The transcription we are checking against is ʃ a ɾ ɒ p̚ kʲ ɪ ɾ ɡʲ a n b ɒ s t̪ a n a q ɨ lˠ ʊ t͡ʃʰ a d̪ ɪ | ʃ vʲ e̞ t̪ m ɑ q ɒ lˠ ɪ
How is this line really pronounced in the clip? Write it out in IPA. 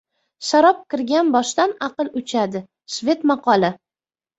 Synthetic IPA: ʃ a ɾ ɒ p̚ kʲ ɪ ɾ ɡʲ a n b ɒ ʃ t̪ a n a q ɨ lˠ ʊ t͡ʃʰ a d̪ ɪ | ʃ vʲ e̞ t̪ m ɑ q ɒ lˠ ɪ